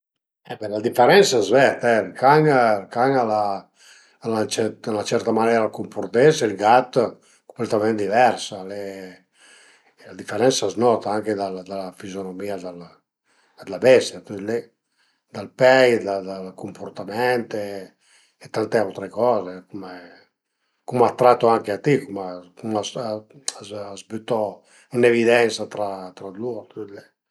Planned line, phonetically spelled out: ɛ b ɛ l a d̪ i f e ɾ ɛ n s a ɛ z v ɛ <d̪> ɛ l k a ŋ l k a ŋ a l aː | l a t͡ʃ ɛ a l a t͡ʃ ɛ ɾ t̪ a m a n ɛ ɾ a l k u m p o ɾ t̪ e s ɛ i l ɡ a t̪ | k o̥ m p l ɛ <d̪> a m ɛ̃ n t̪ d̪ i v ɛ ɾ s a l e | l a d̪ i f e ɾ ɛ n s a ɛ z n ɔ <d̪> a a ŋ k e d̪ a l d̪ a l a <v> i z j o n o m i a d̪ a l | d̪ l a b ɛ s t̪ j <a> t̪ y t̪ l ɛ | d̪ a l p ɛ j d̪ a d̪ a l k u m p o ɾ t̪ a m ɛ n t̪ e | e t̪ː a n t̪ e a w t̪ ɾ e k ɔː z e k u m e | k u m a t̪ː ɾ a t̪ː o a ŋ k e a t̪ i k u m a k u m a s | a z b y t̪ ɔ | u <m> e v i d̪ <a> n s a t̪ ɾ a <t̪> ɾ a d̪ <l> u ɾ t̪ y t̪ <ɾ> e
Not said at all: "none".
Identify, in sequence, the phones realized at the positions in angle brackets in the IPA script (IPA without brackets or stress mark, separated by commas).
t̪, t̪, t̪, f, a, n, ɛ, t̪, l, l